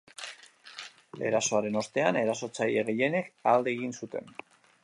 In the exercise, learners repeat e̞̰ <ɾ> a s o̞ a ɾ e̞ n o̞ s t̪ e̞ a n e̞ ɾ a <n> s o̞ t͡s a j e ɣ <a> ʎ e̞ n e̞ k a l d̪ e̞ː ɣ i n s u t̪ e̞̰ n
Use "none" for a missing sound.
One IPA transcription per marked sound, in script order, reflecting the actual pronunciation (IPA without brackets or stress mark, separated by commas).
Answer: ɾ, none, e